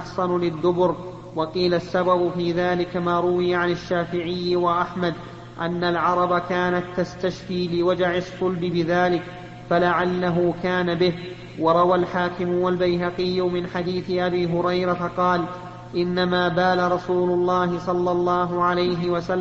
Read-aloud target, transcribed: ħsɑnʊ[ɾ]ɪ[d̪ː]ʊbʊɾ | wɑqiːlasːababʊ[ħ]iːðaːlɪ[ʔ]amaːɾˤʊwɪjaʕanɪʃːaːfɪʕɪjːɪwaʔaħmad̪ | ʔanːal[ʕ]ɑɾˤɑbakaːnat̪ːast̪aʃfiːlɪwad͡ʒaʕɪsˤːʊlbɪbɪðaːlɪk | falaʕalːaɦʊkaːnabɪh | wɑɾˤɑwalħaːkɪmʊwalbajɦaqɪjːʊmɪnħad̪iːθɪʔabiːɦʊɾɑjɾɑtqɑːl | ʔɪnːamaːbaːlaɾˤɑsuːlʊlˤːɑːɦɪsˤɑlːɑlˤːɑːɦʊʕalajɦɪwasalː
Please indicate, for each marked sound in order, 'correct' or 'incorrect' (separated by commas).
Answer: incorrect, correct, incorrect, incorrect, correct